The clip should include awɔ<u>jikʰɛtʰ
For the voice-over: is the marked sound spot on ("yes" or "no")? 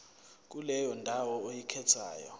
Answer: no